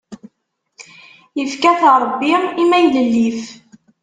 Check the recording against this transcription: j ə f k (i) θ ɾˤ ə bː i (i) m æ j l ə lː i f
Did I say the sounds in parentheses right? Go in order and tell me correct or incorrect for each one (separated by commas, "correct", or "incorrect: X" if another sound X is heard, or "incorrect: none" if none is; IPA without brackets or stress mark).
incorrect: æ, correct